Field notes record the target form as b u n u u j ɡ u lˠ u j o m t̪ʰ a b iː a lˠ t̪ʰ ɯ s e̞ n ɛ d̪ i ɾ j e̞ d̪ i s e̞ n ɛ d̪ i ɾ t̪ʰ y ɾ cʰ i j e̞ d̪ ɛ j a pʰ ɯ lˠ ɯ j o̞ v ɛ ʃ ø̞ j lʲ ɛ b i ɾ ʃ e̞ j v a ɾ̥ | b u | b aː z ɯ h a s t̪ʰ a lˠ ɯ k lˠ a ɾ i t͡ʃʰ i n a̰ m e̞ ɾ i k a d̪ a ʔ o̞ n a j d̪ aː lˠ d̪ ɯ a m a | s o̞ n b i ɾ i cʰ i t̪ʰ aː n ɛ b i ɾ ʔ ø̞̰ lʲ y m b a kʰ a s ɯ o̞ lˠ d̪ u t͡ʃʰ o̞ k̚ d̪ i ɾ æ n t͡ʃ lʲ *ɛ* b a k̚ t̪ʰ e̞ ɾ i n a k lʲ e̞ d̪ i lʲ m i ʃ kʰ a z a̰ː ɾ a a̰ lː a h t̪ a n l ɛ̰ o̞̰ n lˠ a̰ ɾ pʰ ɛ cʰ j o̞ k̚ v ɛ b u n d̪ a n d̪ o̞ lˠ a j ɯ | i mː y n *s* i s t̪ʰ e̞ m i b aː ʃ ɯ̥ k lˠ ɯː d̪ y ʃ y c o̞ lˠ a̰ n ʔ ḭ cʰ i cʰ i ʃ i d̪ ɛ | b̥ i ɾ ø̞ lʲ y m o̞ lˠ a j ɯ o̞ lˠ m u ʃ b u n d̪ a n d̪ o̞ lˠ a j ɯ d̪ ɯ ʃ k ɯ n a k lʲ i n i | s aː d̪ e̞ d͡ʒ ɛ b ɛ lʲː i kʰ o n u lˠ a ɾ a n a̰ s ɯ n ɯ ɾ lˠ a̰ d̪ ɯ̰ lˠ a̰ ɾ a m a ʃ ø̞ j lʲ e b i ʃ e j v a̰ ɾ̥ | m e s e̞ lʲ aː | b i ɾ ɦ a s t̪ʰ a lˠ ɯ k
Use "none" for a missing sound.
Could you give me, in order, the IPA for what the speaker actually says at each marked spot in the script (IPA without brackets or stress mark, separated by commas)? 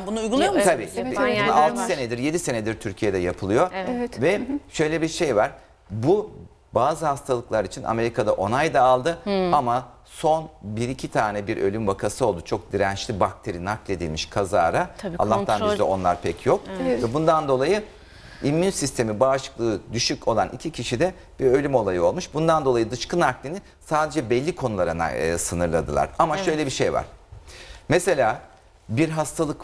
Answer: i, s